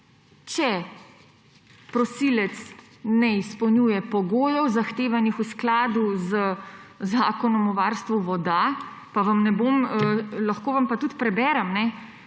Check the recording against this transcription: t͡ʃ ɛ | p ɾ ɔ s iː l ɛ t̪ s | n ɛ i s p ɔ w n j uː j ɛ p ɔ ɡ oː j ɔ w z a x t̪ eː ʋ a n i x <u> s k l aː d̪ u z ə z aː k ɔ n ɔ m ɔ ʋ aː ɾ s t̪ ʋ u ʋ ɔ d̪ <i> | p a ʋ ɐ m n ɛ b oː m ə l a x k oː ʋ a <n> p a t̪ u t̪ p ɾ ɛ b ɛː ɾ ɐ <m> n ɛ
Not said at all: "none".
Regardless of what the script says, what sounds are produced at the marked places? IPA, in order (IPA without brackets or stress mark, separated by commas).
u, a, m, m